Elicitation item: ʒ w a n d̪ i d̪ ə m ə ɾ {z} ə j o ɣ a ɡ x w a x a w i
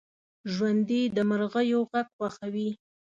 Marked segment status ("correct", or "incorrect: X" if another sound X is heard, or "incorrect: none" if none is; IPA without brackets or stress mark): incorrect: ɣ